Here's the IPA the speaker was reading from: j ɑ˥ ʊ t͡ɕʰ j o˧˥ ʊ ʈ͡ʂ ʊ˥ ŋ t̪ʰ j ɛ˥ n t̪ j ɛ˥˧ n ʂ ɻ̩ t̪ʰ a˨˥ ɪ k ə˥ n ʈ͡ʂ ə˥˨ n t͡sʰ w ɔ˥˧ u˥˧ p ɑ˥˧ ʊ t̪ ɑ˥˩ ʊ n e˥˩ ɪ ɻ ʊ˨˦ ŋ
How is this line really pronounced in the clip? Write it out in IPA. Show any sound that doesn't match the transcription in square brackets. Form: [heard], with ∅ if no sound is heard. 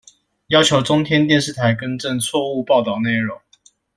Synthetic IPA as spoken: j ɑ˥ ʊ t͡ɕʰ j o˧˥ ʊ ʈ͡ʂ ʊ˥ ŋ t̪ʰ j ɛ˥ n t̪ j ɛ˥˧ n ʂ ɻ̩ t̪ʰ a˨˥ ɪ k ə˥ n ʈ͡ʂ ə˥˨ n t͡sʰ w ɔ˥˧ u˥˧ p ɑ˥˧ ʊ t̪ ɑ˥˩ ʊ n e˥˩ ɪ ɻ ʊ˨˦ ŋ